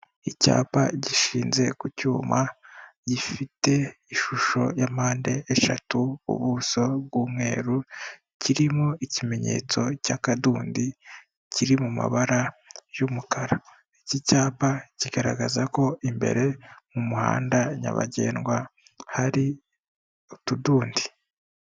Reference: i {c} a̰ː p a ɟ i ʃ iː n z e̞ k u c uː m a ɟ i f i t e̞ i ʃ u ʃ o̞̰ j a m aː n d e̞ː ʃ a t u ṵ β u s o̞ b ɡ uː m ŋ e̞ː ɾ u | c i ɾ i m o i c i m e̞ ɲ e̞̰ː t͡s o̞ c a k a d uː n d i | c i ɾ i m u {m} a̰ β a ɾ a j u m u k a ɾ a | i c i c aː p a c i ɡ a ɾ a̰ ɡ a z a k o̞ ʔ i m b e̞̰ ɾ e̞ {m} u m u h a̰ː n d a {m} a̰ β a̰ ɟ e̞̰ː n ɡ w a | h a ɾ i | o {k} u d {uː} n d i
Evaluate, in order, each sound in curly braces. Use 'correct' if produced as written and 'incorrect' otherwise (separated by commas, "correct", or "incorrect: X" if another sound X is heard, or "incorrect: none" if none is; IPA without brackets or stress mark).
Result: correct, correct, correct, incorrect: ɲ, incorrect: t, correct